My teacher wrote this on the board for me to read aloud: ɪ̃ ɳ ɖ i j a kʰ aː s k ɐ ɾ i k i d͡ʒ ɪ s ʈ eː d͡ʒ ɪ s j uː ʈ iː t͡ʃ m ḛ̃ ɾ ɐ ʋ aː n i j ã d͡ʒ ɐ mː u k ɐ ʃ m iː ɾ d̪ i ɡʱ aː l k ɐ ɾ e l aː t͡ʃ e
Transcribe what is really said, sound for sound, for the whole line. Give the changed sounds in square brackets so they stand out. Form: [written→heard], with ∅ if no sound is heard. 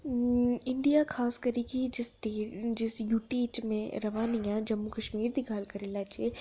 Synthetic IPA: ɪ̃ ɳ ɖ i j a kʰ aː s k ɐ ɾ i k i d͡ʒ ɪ s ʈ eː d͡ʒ ɪ s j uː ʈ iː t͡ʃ m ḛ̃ ɾ ɐ ʋ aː n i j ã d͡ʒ ɐ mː u k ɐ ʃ m iː ɾ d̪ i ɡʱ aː l k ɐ ɾ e l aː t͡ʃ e